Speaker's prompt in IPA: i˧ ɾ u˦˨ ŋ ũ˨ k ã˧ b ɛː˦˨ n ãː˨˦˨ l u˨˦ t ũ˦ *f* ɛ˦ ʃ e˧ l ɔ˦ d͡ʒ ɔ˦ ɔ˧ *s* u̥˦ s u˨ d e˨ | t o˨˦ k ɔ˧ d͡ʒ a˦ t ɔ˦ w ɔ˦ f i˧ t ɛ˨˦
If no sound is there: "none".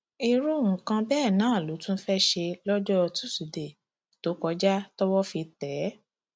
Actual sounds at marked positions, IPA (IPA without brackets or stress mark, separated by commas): f, t